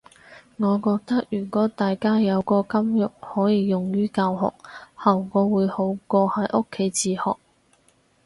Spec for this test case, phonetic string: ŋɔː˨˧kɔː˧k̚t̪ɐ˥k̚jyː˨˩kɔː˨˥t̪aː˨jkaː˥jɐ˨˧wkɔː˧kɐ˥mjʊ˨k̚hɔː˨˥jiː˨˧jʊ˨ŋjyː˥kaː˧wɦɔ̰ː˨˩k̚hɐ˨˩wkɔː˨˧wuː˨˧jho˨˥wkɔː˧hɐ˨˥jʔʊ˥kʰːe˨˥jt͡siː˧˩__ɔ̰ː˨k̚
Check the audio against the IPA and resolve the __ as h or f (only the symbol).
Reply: h